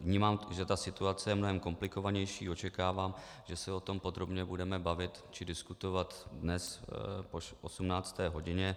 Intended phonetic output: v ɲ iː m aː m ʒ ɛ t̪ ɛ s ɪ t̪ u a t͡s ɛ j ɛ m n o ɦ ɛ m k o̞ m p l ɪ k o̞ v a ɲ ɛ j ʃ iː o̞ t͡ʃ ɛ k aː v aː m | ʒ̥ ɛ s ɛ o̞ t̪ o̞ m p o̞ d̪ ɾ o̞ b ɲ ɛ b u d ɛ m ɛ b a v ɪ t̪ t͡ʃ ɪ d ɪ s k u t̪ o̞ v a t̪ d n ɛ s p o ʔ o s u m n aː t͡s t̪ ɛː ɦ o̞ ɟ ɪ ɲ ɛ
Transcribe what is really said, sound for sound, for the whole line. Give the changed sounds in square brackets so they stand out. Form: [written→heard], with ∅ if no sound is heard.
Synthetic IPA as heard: v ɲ iː m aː m ʒ ɛ t̪ [ɛ→a] s ɪ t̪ u a t͡s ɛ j ɛ m n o ɦ ɛ m k o̞ m p l ɪ k o̞ v a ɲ ɛ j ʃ iː o̞ t͡ʃ ɛ k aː v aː m | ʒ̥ ɛ s ɛ o̞ t̪ o̞ m p o̞ d̪ ɾ o̞ b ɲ ɛ b u d ɛ m ɛ b a v ɪ t̪ t͡ʃ ɪ d ɪ s k u t̪ o̞ v a t̪ d n ɛ s p o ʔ o s u m n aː t͡s t̪ ɛː ɦ o̞ ɟ ɪ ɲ ɛ